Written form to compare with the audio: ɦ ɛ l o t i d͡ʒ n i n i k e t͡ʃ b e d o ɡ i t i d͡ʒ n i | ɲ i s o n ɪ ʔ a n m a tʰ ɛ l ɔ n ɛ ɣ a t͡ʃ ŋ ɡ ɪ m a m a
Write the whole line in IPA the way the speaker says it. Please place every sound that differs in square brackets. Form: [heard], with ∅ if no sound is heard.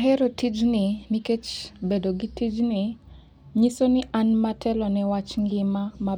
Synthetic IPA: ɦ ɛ [ɾ] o t i d͡ʒ n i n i k e t͡ʃ b e d o ɡ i t i d͡ʒ n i | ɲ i s o n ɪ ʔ a n m a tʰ ɛ l ɔ n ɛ [w] a t͡ʃ ŋ ɡ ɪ m a m a

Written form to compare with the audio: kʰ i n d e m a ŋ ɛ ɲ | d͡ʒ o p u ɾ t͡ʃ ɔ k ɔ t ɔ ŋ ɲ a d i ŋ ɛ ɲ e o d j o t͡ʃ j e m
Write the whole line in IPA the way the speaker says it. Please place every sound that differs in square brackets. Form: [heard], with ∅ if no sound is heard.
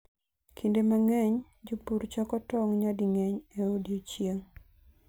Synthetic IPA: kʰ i n d e m a ŋ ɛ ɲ | d͡ʒ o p u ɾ t͡ʃ ɔ k ɔ t ɔ ŋ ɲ a d i ŋ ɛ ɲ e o d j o t͡ʃ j e [ŋ]

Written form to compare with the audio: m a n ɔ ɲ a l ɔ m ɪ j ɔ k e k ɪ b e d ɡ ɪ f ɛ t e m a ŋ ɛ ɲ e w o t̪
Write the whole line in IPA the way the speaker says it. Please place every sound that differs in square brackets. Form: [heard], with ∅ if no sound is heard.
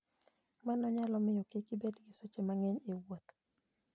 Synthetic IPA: m a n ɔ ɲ a l ɔ m ɪ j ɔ k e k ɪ b e d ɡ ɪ [s] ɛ [t͡ʃ] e m a ŋ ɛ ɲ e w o t̪

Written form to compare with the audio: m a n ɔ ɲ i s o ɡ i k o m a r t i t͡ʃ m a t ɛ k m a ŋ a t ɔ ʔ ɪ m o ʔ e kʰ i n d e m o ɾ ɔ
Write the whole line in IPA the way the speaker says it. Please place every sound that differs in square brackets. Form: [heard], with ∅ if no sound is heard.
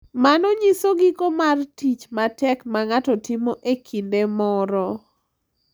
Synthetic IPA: m a n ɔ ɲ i s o ɡ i k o m a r t i t͡ʃ m a t ɛ k m a ŋ a t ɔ [t] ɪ m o ʔ e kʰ i n d e m [ɔ] ɾ ɔ

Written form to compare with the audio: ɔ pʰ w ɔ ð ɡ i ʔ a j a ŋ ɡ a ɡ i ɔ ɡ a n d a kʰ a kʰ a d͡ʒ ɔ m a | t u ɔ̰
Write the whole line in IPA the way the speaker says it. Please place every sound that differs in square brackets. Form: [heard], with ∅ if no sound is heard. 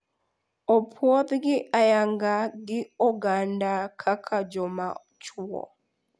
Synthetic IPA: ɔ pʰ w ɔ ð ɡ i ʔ a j a ŋ ɡ a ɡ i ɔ ɡ a n d a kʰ a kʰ a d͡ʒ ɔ m a | [t͡ʃ] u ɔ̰

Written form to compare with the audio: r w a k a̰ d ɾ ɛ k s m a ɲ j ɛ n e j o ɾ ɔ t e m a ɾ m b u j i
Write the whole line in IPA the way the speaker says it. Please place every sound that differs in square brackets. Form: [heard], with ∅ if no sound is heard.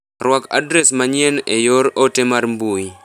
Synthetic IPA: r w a k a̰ d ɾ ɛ [∅] s m a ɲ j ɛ n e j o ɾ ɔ t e m a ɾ m b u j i

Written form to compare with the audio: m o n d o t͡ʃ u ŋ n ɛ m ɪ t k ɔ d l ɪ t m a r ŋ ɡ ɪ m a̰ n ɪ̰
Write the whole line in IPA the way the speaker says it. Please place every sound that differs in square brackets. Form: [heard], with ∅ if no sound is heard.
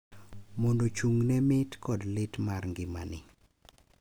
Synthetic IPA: m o n d o t͡ʃ u ŋ n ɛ m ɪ t k ɔ d l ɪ t m a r ŋ ɡ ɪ m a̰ n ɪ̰

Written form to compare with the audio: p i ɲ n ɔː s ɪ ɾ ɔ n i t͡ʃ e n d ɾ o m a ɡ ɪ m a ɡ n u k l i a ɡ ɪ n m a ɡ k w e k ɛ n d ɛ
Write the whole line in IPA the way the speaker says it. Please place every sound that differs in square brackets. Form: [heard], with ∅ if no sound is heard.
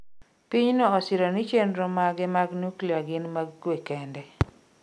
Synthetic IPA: p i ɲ n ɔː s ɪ ɾ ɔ n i t͡ʃ e n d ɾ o m a ɡ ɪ m a ɡ n u k l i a ɡ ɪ n m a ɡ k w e k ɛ n d ɛ

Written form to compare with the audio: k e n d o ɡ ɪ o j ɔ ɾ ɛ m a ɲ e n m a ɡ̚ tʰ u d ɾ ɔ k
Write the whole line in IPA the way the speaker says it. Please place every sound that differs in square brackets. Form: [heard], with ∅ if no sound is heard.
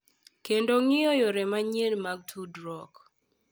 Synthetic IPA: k e n d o [ŋ] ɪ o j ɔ ɾ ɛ m a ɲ e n m a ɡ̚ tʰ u d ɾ ɔ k

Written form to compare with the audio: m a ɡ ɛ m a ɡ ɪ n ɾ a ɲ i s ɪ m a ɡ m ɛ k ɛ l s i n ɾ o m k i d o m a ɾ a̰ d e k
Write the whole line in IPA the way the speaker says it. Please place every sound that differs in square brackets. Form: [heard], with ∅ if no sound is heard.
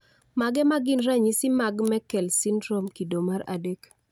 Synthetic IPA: m a ɡ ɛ m a ɡ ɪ n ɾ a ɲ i s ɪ m a ɡ m ɛ k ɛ l s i n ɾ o m k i d o m a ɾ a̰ d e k

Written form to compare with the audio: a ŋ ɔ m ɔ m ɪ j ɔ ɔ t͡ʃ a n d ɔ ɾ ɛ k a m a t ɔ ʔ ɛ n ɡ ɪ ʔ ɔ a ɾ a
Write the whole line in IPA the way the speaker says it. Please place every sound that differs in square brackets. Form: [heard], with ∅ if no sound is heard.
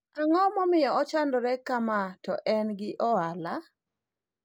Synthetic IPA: a ŋ ɔ m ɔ m ɪ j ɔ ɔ t͡ʃ a n d ɔ ɾ ɛ k a m a t ɔ ʔ ɛ n ɡ ɪ ʔ ɔ a [l] a

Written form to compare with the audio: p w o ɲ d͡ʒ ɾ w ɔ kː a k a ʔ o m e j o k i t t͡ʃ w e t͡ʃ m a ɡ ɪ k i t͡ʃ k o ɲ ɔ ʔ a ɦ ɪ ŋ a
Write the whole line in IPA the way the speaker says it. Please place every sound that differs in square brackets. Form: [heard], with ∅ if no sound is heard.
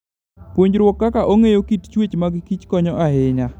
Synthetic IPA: p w o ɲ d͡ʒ ɾ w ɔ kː a k a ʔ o [ŋ] e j o k i t t͡ʃ w e t͡ʃ m a ɡ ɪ k i t͡ʃ k [ɔ] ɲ ɔ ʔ a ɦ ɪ [ɲ] a

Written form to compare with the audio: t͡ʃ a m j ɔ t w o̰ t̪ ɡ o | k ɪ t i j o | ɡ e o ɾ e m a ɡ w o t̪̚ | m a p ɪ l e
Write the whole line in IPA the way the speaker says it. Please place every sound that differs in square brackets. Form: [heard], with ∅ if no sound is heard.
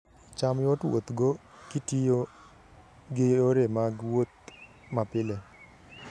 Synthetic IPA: t͡ʃ a m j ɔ t w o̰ t̪ ɡ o | k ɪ t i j o | ɡ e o ɾ e m a ɡ w o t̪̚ | m a p ɪ l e

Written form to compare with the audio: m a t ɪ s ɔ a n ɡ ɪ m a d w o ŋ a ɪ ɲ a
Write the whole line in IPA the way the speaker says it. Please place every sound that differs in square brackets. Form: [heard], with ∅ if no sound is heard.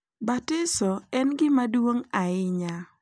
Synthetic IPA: [b] a t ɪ s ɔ [ɛ] n ɡ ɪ m a d w o ŋ a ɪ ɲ a

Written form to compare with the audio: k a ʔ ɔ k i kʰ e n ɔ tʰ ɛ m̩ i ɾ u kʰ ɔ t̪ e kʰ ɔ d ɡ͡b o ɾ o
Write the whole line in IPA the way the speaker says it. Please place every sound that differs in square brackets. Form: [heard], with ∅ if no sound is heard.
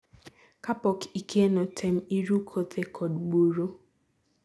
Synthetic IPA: k a [p] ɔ k i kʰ e n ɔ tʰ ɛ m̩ i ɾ u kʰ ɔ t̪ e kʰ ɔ d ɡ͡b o ɾ o

